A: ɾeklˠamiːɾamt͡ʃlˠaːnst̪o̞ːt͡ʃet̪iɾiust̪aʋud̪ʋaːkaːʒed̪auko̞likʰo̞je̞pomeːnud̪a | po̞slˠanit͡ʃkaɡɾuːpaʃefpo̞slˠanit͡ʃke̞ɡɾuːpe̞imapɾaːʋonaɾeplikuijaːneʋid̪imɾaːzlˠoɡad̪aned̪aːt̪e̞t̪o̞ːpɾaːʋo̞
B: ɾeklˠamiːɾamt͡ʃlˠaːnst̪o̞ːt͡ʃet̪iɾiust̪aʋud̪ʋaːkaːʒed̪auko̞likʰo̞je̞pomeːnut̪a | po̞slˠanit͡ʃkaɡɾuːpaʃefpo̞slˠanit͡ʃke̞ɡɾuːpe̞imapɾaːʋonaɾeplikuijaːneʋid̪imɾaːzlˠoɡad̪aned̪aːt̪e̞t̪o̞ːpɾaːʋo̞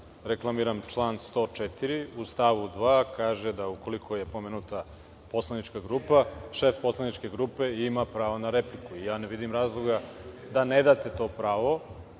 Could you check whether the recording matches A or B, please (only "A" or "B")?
B